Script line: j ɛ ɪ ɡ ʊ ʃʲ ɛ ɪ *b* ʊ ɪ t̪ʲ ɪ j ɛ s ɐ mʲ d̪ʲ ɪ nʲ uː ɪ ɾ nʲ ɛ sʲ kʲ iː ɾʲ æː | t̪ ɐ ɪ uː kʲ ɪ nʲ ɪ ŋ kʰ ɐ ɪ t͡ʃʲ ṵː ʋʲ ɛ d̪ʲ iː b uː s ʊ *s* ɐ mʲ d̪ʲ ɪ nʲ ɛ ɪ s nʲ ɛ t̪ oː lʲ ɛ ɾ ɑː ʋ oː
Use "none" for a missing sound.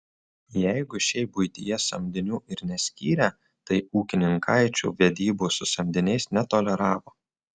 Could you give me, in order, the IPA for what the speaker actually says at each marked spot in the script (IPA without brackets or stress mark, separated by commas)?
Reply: b, s